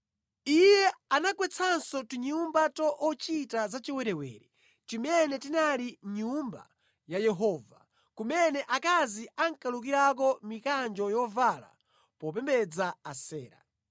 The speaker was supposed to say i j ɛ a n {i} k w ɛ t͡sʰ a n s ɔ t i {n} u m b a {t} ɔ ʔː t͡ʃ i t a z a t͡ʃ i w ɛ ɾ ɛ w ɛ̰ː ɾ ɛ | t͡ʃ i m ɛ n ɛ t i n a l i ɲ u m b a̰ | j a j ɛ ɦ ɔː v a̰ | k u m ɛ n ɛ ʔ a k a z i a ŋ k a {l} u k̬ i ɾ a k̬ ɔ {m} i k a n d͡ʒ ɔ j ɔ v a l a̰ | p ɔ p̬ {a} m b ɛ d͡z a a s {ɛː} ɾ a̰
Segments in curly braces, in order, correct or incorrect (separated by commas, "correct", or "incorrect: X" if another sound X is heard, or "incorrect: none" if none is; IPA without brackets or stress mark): incorrect: a, incorrect: ɲ, correct, correct, correct, incorrect: ɛ, correct